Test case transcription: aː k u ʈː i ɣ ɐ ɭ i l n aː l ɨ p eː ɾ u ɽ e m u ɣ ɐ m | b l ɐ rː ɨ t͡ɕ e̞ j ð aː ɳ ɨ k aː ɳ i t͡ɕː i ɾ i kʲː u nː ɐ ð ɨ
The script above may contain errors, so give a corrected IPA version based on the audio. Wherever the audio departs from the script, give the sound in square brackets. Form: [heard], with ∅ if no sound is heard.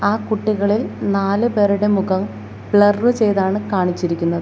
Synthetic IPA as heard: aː k u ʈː i ɣ ɐ ɭ i l n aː l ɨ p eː ɾ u ɽ e m u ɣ ɐ m | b [ɭ] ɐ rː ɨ t͡ɕ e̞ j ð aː ɳ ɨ k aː ɳ i t͡ɕː i ɾ i kʲː u nː ɐ ð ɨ